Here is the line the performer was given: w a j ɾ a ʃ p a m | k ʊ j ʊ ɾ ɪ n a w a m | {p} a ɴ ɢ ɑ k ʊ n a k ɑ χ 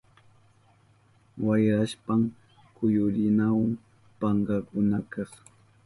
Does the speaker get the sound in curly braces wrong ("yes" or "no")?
no